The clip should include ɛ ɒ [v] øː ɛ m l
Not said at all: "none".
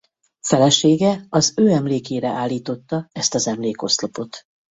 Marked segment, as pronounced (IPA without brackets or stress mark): z